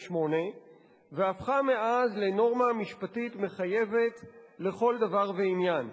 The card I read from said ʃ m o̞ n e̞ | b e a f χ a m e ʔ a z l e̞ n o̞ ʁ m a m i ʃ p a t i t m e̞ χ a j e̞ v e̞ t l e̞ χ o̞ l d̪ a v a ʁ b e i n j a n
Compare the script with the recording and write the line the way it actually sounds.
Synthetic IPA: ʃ m o̞ n e̞ | v e a f χ a m e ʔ a z l e̞ n o̞ ʁ m a m i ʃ p a t i t m e̞ χ a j e̞ v e̞ t l e̞ χ o̞ l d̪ a v a ʁ v e i n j a n